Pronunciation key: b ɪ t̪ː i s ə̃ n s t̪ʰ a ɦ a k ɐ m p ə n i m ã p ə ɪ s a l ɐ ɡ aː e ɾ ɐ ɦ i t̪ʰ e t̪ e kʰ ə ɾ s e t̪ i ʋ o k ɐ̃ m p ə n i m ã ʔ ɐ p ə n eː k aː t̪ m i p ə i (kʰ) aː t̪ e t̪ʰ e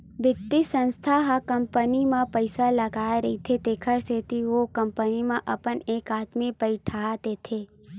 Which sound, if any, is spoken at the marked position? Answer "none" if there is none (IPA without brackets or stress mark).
ʈʰ